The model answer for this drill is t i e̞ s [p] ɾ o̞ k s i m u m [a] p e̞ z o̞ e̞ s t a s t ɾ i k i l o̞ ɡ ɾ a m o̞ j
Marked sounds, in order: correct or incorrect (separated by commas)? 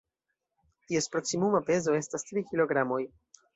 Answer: correct, correct